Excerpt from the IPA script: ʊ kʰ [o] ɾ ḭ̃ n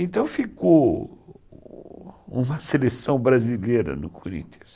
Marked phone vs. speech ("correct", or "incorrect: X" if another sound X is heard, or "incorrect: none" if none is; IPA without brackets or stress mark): correct